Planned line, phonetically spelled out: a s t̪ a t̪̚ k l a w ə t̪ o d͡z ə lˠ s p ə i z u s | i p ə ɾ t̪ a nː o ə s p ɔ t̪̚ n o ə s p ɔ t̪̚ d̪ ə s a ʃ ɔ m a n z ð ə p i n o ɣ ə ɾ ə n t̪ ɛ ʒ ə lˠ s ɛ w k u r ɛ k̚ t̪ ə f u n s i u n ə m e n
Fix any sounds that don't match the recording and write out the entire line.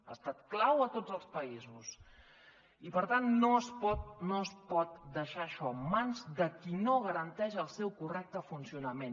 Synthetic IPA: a s t̪ a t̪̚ k l a w ə t̪ o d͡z ə lˠ s p ə i z u s | i p ə ɾ t̪ a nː o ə s p ɔ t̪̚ n o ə s p ɔ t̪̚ d̪ ə ʃ a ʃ ɔ m a n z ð ə k i n o ɣ ə ɾ ə n t̪ ɛ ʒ ə lˠ s ɛ w k u r ɛ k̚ t̪ ə f u n s i u n ə m e n